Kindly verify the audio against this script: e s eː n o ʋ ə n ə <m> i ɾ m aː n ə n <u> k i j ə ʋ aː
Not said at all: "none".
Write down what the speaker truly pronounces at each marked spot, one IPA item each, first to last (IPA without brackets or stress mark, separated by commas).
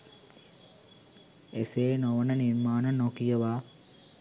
n, o